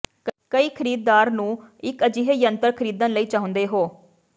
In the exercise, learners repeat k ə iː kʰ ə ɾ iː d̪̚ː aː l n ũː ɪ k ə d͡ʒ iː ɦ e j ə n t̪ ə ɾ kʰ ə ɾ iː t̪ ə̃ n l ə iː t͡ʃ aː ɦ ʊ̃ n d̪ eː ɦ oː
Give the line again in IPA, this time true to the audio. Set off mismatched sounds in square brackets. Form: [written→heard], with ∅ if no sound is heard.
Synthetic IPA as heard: k ə iː kʰ ə ɾ iː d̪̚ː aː [l→ɾ] n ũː ɪ k ə d͡ʒ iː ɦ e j ə n t̪ ə ɾ kʰ ə ɾ iː [t̪→d̪] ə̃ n l ə iː t͡ʃ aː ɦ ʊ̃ n d̪ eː ɦ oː

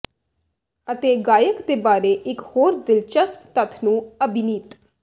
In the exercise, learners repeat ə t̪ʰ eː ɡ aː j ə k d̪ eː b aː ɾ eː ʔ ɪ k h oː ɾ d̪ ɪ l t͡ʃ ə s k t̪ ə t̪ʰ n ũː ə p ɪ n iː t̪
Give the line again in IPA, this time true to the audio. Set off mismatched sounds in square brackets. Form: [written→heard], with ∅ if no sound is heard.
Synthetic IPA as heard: ə [t̪ʰ→t̪] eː ɡ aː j ə k d̪ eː b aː ɾ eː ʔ ɪ k h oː ɾ d̪ ɪ l t͡ʃ ə s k t̪ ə t̪ʰ n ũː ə [p→b] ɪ n iː t̪

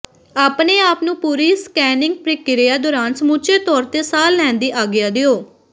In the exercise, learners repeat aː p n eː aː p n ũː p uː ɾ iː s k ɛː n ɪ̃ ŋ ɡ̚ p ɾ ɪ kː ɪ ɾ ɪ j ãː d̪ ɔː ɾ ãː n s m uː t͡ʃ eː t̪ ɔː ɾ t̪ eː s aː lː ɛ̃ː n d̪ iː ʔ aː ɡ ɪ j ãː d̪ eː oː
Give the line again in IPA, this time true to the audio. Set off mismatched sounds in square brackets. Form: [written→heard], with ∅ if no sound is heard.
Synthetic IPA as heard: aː p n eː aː p n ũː p uː ɾ iː s k ɛː n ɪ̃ ŋ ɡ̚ p ɾ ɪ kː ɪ ɾ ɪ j [ãː→aː] d̪ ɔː ɾ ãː n s m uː t͡ʃ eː t̪ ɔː ɾ t̪ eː s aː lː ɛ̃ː n d̪ iː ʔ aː ɡ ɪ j [ãː→aː] d̪ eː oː

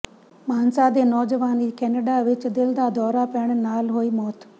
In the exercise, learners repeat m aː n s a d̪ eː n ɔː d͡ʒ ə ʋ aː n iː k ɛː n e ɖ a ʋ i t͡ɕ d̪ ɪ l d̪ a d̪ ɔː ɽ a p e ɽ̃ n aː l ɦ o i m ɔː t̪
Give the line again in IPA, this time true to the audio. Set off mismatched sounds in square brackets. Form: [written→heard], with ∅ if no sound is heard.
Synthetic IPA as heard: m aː n s a d̪ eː n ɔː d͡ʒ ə ʋ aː n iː k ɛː n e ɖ a ʋ [i→ɪ] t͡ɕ d̪ ɪ l d̪ a d̪ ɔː [ɽ→ɾ] a p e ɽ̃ n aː l ɦ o i m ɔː t̪

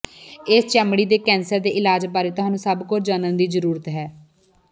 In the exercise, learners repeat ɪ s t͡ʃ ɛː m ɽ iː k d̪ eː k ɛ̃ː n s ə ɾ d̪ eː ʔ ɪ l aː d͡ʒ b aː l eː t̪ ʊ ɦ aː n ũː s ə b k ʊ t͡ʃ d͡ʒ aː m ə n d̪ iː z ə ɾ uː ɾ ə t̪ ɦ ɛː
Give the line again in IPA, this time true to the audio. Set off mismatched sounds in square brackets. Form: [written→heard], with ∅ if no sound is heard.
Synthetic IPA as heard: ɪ s t͡ʃ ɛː m ɽ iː [k→∅] d̪ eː k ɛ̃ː n s ə ɾ d̪ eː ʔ ɪ l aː d͡ʒ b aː [l→ɾ] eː t̪ ʊ ɦ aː n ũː s ə b k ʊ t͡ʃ d͡ʒ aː [m→n] ə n d̪ iː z ə ɾ uː ɾ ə t̪ ɦ ɛː

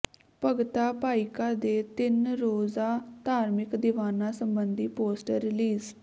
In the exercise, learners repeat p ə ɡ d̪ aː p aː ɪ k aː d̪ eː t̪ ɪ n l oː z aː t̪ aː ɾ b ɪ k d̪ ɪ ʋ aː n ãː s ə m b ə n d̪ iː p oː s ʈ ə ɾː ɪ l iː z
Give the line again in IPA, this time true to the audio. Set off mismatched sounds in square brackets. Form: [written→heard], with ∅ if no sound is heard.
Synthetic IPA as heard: p ə ɡ [d̪→t̪] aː p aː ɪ k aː d̪ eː t̪ ɪ n [l→ɾ] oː z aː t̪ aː ɾ [b→m] ɪ k d̪ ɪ ʋ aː n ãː s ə m b ə n d̪ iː p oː s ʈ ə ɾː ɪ l iː z

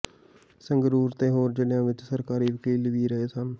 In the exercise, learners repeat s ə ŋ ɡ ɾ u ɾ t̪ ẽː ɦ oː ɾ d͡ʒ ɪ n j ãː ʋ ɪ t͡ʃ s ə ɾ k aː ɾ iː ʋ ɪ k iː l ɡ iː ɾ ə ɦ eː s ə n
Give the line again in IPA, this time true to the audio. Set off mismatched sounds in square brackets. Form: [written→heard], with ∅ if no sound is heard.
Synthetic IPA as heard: s ə ŋ ɡ ɾ [u→uː] ɾ t̪ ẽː ɦ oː ɾ d͡ʒ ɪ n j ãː ʋ ɪ t͡ʃ s ə ɾ k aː ɾ iː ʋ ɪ k iː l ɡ iː ɾ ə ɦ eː s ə n

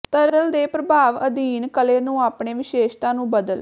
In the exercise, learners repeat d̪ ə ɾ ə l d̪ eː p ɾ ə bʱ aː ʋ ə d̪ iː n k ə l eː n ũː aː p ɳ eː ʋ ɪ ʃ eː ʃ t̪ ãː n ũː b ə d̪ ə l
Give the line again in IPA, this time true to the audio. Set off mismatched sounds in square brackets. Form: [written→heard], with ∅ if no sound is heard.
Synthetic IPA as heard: [d̪→t̪] ə ɾ ə l d̪ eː p ɾ ə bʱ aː ʋ ə d̪ iː n k ə l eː n ũː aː p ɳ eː ʋ ɪ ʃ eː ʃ t̪ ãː n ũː b ə d̪ ə l

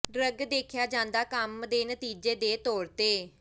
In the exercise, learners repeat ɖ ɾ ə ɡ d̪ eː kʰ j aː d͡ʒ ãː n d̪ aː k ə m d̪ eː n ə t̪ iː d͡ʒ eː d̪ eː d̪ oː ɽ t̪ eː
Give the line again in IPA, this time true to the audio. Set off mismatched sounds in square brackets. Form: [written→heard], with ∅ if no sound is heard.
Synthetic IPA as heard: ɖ ɾ ə ɡ d̪ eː kʰ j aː d͡ʒ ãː n d̪ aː k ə m d̪ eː n ə t̪ iː d͡ʒ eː d̪ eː [d̪→t̪] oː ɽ t̪ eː

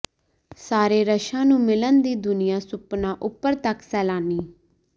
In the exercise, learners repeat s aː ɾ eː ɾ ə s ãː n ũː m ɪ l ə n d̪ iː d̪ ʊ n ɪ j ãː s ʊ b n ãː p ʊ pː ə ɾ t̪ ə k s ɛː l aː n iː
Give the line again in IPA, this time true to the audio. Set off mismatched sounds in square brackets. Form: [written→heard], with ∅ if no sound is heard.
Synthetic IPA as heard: s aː ɾ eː ɾ ə [s→ʃ] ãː n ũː m ɪ l ə n d̪ iː d̪ ʊ n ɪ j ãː s ʊ [b→p] n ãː [p→ʔ] ʊ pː ə ɾ t̪ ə k s ɛː l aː n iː

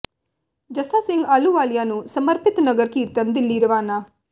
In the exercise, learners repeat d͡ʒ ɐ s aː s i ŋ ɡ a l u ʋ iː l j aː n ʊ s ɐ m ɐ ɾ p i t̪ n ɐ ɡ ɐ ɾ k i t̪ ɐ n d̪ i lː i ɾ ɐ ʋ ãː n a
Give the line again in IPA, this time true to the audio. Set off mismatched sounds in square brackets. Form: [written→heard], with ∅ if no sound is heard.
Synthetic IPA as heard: d͡ʒ ɐ s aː s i ŋ ɡ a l u ʋ [iː→aː] l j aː n [ʊ→u] s ɐ m ɐ ɾ p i t̪ n ɐ ɡ ɐ ɾ k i t̪ ɐ n d̪ i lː i ɾ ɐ ʋ [ãː→aː] n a

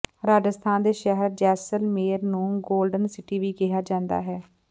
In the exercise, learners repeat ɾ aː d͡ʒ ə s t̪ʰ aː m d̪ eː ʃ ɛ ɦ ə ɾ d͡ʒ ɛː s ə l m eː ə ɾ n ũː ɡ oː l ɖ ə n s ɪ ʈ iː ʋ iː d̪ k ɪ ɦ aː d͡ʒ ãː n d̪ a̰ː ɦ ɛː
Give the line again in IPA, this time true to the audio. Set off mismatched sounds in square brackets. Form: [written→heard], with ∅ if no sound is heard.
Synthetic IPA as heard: ɾ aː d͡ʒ ə s t̪ʰ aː [m→n] d̪ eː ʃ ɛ ɦ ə ɾ d͡ʒ ɛː s ə l m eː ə ɾ n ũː ɡ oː l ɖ ə n s ɪ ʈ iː ʋ iː [d̪→∅] k ɪ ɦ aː d͡ʒ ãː n d̪ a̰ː ɦ ɛː

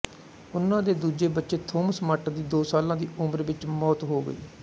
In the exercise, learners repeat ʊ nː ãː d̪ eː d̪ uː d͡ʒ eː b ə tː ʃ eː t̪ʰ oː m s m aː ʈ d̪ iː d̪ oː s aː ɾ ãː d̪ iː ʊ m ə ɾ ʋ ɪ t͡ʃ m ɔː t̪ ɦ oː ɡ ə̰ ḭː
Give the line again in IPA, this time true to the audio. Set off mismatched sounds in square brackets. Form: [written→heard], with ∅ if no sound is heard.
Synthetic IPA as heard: ʊ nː ãː d̪ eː d̪ uː d͡ʒ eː b ə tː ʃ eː t̪ʰ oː m s m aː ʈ d̪ iː d̪ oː s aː [ɾ→l] ãː d̪ iː ʊ m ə ɾ ʋ ɪ t͡ʃ m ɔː t̪ ɦ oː ɡ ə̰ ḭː

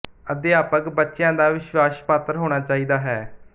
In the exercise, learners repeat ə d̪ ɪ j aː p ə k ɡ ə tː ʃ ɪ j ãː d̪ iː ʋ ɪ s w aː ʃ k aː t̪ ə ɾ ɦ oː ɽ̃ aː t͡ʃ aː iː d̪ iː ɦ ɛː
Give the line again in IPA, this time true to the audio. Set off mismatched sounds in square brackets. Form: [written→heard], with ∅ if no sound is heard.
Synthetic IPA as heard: ə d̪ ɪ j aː p ə k [ɡ→b] ə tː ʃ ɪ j ãː d̪ [iː→aː] ʋ ɪ [s→ʃ] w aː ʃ [k→p] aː t̪ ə ɾ ɦ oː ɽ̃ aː t͡ʃ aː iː d̪ [iː→aː] ɦ ɛː

